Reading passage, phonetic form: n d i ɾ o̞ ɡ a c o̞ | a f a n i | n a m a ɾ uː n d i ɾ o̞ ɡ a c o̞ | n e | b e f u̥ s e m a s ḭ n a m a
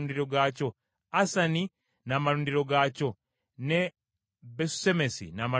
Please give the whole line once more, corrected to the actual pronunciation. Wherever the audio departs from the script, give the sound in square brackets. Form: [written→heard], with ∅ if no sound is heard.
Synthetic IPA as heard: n d i ɾ o̞ ɡ a c o̞ | a [f→s] a n i | n a m a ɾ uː n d i ɾ o̞ ɡ a c o̞ | n e | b e [f→s] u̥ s e m [a→e] s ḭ n a m a